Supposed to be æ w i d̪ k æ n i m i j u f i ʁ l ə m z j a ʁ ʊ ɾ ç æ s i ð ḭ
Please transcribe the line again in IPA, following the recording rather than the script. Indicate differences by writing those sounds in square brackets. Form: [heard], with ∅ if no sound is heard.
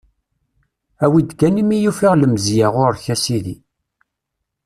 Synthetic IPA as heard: æ w i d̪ k æ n i m i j u f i ʁ l ə m z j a ʁ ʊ ɾ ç æ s i ð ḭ